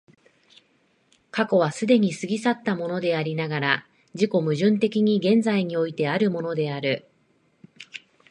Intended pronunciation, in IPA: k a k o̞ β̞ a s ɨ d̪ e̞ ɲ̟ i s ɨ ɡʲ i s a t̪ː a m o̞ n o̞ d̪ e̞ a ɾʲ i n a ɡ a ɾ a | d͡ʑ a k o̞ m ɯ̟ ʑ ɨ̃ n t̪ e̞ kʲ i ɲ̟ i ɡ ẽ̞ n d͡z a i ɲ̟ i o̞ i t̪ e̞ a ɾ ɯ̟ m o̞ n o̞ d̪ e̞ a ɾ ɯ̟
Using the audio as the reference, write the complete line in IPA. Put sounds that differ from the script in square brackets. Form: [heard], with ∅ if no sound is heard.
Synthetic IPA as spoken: k a k o̞ β̞ a s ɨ d̪ e̞ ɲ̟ i s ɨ ɡʲ i s a t̪ː a m o̞ n o̞ d̪ e̞ a ɾʲ i n a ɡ a ɾ a | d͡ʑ [i] k o̞ m ɯ̟ ʑ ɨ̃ n t̪ e̞ kʲ i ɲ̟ i ɡ ẽ̞ n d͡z a i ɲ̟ i o̞ i t̪ e̞ a ɾ ɯ̟ m o̞ n o̞ d̪ e̞ a ɾ ɯ̟